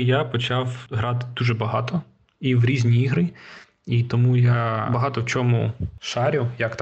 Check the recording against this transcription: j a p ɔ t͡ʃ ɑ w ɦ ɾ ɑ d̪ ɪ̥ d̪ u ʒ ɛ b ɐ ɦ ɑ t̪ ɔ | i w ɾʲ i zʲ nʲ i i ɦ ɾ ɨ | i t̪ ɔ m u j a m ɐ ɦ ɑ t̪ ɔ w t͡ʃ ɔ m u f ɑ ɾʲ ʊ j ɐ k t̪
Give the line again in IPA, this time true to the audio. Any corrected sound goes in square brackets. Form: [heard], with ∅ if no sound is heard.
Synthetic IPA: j a p ɔ t͡ʃ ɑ w ɦ ɾ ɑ [t̪] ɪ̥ d̪ u ʒ ɛ b ɐ ɦ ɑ t̪ ɔ | i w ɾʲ i zʲ nʲ i i ɦ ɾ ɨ | i t̪ ɔ m u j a [b] ɐ ɦ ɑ t̪ ɔ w t͡ʃ ɔ m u [ʃ] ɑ ɾʲ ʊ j ɐ k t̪